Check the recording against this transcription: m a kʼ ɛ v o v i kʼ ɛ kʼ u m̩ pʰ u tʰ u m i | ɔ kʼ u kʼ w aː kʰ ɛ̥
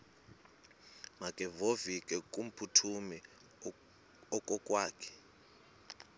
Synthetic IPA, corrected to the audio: m a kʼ ɛ v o v i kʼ ɛ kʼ u m̩ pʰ u tʰ u m i | ɔ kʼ ɔ kʼ w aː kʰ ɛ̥